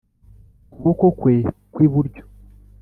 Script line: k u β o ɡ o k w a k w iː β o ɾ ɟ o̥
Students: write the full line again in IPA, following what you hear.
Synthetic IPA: k u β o k o k w e k w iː β u ɾ ɟ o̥

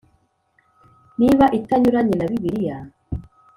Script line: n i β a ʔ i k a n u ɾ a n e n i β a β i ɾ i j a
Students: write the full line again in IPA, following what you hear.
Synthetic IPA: n i β a ʔ i t a ɲ u ɾ a ɲ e n a β i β i ɾ i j a

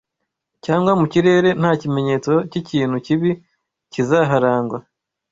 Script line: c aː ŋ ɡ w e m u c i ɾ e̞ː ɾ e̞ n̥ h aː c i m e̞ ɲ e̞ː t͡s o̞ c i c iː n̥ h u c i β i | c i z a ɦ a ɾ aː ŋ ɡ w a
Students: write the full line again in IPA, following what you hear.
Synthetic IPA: c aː ŋ ɡ w a m u c i ɾ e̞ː ɾ e̞ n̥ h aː c i m e̞ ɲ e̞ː t͡s o̞ c i c iː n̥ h u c i β i | c i z a ɦ a ɾ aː ŋ ɡ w a

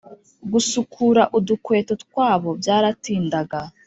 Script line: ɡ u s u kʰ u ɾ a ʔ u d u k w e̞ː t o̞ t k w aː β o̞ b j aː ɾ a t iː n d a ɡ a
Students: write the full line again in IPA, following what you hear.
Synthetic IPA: ɡ u s u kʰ u ɾ a ʔ u d u k w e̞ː t o̞ t k w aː β o̞ b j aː ɾ a t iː n d a ɡ a

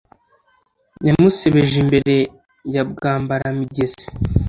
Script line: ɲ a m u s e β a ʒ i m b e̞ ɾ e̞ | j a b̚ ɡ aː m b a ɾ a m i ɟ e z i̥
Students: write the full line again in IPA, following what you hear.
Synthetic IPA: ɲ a m u s e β e ʒ i m b e̞ ɾ e̞ | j a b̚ ɡ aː m b a ɾ a m i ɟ e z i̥

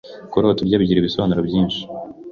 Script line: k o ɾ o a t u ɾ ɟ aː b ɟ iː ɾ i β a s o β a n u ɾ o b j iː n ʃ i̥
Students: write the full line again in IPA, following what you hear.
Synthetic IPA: k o ɾ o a t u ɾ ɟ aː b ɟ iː ɾ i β i s o β a n u ɾ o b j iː n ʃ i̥

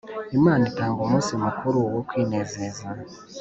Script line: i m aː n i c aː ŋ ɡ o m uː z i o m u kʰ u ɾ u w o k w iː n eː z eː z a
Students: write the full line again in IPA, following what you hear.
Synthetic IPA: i m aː n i t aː ŋ ɡ o m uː s i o m u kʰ u ɾ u w o k w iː n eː z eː z a

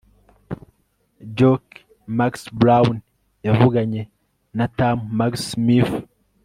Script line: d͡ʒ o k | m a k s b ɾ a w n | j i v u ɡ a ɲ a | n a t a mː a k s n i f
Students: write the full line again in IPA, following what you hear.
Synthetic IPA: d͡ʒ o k | m a k s b ɾ a w n | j a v u ɡ a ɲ e | n a t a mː a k s m i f

